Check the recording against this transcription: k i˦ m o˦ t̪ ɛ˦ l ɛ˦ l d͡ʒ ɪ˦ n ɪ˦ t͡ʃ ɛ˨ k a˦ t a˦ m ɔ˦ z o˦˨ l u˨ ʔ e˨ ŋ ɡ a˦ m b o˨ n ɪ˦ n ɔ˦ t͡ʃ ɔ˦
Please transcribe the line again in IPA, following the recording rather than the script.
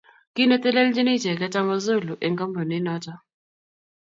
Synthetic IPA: k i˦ n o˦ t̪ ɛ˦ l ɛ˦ l d͡ʒ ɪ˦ n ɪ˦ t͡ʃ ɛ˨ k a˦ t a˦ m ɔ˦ z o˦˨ l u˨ ʔ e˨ ŋ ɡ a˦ m b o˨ n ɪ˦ n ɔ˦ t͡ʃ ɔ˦